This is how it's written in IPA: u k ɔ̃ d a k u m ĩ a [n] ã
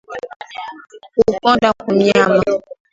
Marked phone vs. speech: incorrect: m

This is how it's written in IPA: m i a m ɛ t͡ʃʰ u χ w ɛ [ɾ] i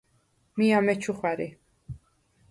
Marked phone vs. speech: correct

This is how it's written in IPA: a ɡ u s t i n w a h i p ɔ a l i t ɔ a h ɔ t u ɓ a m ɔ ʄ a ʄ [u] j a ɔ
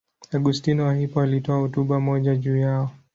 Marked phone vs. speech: incorrect: uː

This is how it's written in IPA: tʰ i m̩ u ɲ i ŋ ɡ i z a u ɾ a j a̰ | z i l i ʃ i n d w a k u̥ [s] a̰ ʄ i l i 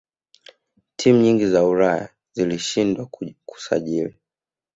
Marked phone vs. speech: correct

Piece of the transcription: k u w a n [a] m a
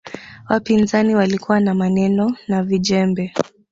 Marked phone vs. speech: correct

